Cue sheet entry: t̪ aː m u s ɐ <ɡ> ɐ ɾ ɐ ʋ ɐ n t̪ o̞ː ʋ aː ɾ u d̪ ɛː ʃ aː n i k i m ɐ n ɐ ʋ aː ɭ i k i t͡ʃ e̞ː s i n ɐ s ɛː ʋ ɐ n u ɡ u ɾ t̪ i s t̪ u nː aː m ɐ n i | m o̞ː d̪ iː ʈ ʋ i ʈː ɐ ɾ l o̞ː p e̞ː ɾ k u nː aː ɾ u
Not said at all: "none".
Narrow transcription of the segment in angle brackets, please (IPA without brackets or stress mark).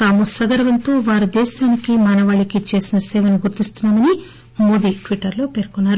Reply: ɡ